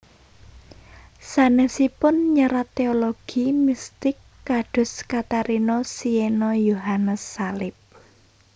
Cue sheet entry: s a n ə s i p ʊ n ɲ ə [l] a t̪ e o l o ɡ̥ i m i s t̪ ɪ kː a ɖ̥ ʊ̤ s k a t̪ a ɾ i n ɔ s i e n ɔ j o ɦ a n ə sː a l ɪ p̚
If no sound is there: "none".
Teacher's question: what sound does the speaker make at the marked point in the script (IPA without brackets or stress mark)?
ɾ